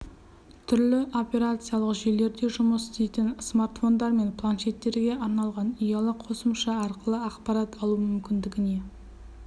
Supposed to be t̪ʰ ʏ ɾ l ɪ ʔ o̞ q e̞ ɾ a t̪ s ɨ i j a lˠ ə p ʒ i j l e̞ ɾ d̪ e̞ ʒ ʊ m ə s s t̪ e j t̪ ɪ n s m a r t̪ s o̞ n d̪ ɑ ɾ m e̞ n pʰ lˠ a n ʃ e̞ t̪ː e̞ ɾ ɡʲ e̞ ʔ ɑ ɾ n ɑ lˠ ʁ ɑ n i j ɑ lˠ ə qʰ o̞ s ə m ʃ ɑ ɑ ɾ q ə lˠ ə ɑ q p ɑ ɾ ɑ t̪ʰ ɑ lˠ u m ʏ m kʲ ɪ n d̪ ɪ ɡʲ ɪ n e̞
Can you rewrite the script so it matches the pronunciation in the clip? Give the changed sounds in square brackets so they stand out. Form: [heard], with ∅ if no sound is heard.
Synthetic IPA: t̪ʰ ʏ ɾ l ɪ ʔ o̞ [p] e̞ ɾ a t̪ s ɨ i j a lˠ ə [q] ʒ [e] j l e̞ ɾ d̪ e̞ ʒ ʊ m ə s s t̪ e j t̪ ɪ n s m a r t̪ [f] o̞ n d̪ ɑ ɾ m e̞ n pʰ lˠ a n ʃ e̞ t̪ː e̞ ɾ ɡʲ e̞ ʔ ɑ ɾ n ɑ lˠ ʁ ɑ n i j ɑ lˠ ə qʰ o̞ s ə m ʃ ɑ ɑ ɾ q ə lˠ ə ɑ q p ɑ ɾ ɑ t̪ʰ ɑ lˠ u m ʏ m kʲ ɪ n d̪ ɪ ɡʲ ɪ n e̞